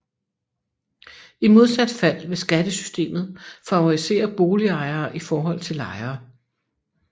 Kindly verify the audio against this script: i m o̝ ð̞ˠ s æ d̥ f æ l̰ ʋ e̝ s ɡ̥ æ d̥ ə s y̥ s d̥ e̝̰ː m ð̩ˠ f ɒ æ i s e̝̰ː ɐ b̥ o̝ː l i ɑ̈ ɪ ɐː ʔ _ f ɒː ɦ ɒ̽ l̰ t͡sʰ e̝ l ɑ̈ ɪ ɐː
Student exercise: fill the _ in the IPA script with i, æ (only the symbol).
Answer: i